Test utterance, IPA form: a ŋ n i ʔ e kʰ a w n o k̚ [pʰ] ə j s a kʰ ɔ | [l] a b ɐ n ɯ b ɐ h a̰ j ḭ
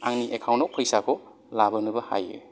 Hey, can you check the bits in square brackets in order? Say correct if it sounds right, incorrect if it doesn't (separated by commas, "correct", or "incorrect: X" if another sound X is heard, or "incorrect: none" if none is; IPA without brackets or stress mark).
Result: correct, correct